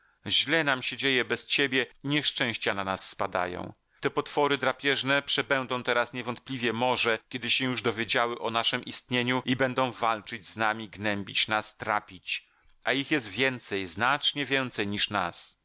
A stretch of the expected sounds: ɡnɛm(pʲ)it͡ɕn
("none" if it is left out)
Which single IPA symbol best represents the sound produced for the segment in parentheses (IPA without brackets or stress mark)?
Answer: bʲ